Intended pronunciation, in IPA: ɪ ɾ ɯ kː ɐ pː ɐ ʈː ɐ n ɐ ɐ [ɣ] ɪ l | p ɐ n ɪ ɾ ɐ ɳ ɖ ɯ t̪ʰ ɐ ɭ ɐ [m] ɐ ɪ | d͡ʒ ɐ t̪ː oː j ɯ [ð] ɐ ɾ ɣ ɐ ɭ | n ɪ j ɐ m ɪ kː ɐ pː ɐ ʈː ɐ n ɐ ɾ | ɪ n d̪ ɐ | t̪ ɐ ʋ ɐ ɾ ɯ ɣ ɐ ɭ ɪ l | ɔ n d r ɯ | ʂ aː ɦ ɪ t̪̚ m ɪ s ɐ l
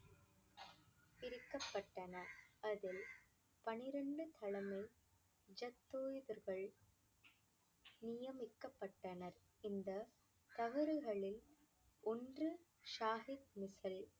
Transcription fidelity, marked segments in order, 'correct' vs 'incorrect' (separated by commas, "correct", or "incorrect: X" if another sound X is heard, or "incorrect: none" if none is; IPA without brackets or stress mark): incorrect: ð, correct, correct